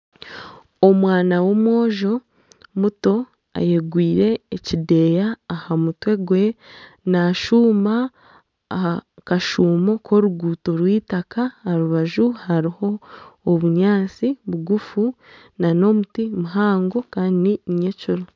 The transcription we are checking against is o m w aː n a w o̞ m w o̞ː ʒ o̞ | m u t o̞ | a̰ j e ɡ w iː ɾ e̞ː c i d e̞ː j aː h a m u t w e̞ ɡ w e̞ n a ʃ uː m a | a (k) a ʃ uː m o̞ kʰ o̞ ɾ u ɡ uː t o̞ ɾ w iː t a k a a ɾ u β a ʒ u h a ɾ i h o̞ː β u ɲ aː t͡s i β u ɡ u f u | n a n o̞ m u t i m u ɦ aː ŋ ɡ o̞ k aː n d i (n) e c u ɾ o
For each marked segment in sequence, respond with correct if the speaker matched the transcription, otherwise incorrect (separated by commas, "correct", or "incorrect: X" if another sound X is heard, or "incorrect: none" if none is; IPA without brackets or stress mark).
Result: correct, incorrect: ɲ